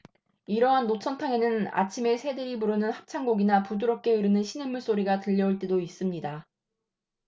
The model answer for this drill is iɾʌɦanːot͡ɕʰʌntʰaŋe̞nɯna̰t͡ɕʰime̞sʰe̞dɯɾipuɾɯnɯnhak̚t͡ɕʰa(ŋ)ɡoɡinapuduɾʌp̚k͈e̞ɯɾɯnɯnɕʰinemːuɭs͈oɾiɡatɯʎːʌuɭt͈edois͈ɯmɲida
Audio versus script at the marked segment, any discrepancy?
no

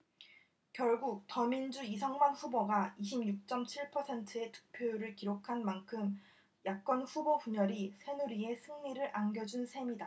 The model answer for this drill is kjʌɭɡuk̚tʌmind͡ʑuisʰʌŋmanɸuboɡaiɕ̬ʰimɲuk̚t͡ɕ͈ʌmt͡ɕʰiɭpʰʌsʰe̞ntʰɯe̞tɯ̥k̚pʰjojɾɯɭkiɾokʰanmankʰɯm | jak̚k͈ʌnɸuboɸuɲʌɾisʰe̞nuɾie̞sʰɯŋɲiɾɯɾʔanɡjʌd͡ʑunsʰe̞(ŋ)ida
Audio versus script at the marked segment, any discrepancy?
yes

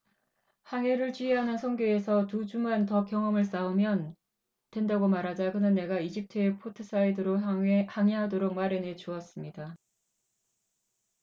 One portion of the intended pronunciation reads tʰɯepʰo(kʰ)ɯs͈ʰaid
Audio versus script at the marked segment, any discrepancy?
yes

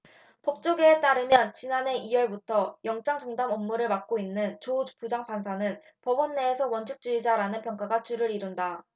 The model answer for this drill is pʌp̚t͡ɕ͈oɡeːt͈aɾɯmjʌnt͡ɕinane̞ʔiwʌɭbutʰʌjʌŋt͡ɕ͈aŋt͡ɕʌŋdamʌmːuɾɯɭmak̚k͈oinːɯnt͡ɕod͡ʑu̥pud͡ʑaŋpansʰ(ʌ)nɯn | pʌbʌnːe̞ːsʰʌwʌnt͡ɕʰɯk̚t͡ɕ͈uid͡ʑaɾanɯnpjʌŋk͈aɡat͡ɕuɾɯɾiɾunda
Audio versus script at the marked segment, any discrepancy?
yes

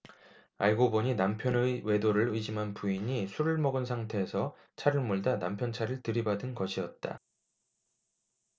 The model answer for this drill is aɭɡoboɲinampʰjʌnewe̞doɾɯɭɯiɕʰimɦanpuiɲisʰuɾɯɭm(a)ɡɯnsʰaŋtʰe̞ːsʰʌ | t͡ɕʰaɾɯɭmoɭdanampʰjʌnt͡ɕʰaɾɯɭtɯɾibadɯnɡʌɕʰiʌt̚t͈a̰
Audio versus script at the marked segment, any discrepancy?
yes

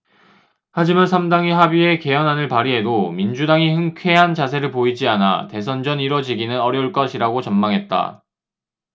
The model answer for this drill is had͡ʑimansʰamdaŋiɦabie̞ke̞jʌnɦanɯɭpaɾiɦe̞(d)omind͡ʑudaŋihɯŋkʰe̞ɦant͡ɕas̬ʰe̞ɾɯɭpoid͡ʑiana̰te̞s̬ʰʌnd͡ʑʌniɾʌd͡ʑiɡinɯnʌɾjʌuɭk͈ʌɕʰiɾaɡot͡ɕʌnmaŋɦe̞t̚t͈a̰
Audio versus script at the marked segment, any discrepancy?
no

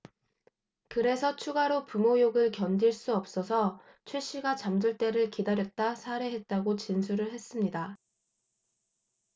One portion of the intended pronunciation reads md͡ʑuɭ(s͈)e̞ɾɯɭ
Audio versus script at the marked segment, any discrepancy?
yes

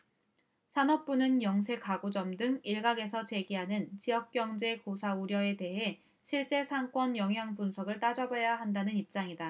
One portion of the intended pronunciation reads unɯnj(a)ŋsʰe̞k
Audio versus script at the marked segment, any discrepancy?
yes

